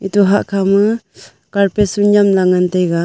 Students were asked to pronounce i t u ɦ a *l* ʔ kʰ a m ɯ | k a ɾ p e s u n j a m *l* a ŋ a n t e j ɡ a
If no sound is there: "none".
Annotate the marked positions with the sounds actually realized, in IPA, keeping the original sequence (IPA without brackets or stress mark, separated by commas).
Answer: none, l